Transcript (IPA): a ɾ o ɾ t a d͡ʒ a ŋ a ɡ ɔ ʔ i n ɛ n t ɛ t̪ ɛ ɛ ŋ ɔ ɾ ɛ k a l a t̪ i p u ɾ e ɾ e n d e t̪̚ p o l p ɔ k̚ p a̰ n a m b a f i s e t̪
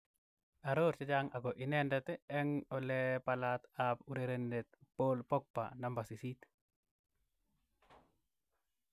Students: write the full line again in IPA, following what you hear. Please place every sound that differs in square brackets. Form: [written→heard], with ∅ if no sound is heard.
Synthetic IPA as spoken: a ɾ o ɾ [t→t͡ʃ] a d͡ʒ a ŋ a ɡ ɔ ʔ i n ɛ n [t→d] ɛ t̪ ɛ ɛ ŋ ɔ [ɾ→l] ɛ [k→p] a l a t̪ [i→a] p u ɾ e ɾ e n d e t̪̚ p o l p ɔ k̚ p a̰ n a m b a [f→s] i s [e→i] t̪